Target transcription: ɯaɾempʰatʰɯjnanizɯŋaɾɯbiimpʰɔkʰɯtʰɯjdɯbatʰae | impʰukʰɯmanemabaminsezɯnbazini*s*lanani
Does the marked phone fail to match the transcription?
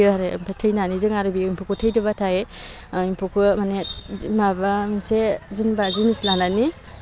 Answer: no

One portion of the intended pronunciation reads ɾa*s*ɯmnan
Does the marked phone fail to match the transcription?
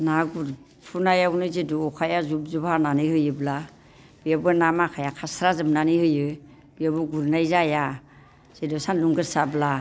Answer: yes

